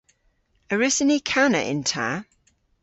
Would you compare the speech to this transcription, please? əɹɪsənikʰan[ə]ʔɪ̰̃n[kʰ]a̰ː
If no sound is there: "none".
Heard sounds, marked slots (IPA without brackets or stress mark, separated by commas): ə, tʰ